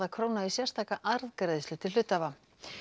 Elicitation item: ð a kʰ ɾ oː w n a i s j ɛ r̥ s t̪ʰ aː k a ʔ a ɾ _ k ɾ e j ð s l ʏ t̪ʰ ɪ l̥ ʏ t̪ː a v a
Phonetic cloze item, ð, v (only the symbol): ð